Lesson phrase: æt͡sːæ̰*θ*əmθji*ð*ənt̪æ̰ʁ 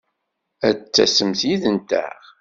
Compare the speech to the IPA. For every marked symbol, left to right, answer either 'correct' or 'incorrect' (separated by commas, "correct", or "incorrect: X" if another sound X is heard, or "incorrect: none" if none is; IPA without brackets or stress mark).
incorrect: s, correct